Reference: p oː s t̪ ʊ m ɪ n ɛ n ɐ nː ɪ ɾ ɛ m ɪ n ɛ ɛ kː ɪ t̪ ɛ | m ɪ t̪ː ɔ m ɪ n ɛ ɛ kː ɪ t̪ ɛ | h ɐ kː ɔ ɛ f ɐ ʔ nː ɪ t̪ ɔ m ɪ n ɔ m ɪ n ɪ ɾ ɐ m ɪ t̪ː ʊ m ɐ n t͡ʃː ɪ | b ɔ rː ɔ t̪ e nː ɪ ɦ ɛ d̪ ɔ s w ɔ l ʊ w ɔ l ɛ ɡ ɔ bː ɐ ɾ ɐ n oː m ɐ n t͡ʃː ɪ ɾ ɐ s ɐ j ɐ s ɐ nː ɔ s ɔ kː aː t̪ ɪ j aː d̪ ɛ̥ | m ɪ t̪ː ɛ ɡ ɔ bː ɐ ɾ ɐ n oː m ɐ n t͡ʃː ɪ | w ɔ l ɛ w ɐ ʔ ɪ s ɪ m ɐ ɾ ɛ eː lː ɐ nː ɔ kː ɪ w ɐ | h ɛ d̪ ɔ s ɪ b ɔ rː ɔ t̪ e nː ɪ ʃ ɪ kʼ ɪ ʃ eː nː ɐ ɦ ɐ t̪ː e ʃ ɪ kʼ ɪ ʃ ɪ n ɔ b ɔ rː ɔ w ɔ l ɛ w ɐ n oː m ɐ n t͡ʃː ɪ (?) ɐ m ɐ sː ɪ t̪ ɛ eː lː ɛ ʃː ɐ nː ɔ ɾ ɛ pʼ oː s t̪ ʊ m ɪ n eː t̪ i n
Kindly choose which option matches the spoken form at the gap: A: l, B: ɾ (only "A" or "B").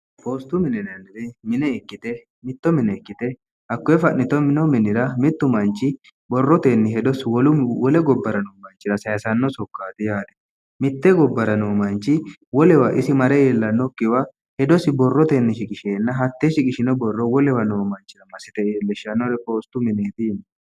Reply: B